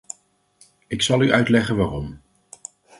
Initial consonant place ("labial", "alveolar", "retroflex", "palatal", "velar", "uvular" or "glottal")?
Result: velar